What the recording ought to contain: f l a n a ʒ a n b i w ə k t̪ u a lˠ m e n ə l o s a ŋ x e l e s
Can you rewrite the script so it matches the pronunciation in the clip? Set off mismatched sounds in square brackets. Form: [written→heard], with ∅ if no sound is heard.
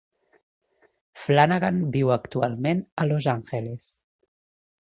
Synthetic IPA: f l a n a [ʒ→ɣ] a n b i w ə k t̪ u a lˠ m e n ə l o [s→z] a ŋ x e l e s

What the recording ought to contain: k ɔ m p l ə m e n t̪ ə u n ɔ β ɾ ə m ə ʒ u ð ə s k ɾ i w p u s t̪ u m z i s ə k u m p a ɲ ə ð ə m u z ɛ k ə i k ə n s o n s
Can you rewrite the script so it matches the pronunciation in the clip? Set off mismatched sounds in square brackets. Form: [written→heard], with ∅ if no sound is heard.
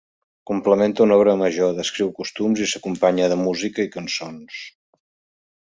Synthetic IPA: k [ɔ→u] m p l ə m e n t̪ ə u n ɔ β ɾ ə m ə ʒ [u→o] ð ə s k ɾ i w [p→k] u s t̪ u m z i s ə k u m p a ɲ ə ð ə m u z [ɛ→i] k ə i k ə n s o n s

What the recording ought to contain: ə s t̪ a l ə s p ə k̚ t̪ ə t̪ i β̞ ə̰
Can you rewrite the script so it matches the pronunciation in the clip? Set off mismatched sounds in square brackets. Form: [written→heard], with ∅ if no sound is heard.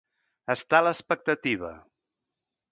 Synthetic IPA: ə s t̪ a l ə s p ə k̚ t̪ ə t̪ i β̞ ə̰

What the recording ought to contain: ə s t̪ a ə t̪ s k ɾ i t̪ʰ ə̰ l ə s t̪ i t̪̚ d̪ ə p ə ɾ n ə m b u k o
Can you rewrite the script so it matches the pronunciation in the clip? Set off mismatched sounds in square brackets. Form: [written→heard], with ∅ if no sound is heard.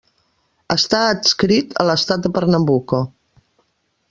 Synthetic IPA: ə s t̪ a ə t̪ s k ɾ i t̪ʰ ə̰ l ə s t̪ [i→a] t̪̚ d̪ ə p ə ɾ n ə m b u k o

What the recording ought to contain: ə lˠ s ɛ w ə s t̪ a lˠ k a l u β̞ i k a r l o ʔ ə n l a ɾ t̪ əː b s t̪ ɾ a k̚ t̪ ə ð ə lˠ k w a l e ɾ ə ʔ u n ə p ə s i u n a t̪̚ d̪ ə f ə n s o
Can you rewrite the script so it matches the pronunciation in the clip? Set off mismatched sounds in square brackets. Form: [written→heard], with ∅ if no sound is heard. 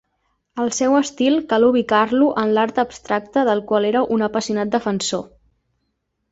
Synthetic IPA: ə lˠ s ɛ w ə s t̪ [a→i] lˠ k a l u β̞ i k a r l [o→u] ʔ ə n l a ɾ t̪ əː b s t̪ ɾ a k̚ t̪ ə ð ə lˠ k w a l e ɾ ə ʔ u n ə p ə s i u n a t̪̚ d̪ ə f ə n s o

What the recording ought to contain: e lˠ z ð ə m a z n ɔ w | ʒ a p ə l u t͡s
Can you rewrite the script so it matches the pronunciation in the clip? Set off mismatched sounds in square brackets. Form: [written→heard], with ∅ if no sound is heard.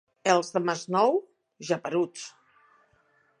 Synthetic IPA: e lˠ z ð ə m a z n ɔ w | ʒ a p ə [l→ɾ] u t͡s

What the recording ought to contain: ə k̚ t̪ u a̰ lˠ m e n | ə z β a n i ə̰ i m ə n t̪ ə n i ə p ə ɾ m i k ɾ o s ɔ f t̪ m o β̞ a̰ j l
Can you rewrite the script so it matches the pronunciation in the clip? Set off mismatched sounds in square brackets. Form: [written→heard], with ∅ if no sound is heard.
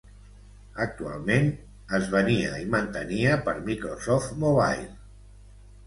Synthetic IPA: ə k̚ t̪ u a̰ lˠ m e n | ə z β [a→ə] n i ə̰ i m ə n t̪ ə n i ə p ə ɾ m i k ɾ o s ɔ f t̪ m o β̞ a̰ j l

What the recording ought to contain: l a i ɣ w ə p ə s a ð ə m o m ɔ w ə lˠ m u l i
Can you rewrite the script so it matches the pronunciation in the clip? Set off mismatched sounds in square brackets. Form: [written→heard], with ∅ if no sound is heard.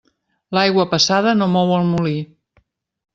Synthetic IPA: l a [i→j] ɣ w ə p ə s a ð ə [m→n] o m ɔ w ə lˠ m u l i

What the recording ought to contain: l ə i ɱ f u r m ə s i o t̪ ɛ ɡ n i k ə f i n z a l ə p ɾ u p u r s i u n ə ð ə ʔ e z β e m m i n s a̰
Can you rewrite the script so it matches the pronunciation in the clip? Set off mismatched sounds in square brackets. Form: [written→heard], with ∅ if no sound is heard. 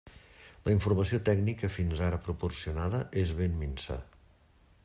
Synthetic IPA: l ə i ɱ f u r m ə s i o t̪ ɛ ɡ n i k ə f i n z a [l→ɾ] ə p ɾ u p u r s i u n [ə→a] ð ə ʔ e z β e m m i n s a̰

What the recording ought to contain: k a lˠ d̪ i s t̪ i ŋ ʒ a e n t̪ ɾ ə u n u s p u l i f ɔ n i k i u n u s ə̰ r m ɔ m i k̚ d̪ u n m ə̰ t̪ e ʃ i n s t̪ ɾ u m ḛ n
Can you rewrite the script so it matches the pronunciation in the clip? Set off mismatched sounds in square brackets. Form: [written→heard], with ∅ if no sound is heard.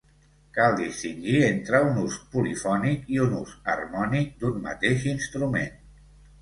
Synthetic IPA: k a lˠ d̪ i s t̪ i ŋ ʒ [a→i] e n t̪ ɾ ə u n u s p u l i f ɔ n i k i u n u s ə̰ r m ɔ [m→n] i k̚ d̪ u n m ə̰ t̪ e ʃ i n s t̪ ɾ u m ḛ n

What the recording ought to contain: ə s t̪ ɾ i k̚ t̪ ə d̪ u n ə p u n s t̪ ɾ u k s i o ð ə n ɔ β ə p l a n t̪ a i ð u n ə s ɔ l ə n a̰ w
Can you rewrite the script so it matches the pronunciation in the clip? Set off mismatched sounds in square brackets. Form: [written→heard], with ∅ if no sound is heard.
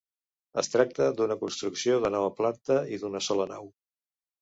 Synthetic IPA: ə s t̪ ɾ [i→a] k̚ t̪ ə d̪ u n ə [p→k] u n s t̪ ɾ u k s i o ð ə n ɔ β ə p l a n t̪ [a→ə] i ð u n ə s ɔ l ə n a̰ w

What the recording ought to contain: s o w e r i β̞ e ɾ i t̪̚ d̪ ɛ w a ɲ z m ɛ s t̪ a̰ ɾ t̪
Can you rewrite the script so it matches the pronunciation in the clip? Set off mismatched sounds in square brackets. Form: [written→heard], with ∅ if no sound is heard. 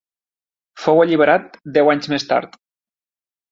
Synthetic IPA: [s→f] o w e [r→ʎ] i β̞ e ɾ [i→a] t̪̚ d̪ ɛ w a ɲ z m [ɛ→e] s t̪ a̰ ɾ t̪

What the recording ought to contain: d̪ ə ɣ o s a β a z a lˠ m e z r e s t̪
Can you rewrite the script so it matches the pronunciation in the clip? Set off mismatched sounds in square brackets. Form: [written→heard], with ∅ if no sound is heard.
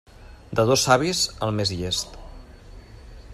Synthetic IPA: d̪ ə [ɣ→ð] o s a β [a→i] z [a→ə] lˠ m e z [r→ʎ] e s t̪

